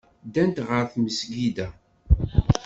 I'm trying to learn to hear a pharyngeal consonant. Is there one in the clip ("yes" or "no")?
no